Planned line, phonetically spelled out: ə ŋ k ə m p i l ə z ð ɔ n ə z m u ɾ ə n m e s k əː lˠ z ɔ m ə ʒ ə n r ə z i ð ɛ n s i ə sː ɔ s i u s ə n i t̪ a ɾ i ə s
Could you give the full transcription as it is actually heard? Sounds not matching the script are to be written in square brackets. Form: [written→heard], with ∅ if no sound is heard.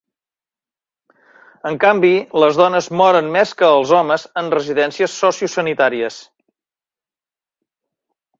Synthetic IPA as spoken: ə ŋ k [ə→a] m [p→b] i l ə z ð ɔ n ə z m [u→ɔ] ɾ ə n m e s k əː lˠ z ɔ m ə [ʒ→z] ə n r ə z i ð ɛ n s i ə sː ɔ s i u s ə n i t̪ a ɾ i ə s